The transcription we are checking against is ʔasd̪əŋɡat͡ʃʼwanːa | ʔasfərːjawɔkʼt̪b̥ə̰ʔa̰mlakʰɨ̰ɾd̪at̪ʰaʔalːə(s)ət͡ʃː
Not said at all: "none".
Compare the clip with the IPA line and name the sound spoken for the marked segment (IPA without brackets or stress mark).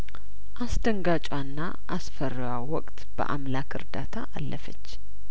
f